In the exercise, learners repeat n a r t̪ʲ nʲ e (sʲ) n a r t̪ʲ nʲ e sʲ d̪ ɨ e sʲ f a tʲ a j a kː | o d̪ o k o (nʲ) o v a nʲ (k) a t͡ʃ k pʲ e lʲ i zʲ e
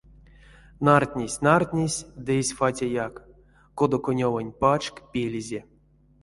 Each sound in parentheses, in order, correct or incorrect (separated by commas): correct, correct, incorrect